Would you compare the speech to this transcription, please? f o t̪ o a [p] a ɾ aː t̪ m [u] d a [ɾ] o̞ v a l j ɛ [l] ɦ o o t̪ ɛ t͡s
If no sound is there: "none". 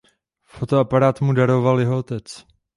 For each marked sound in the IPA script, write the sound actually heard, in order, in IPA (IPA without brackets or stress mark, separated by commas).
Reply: p, u, ɾ, none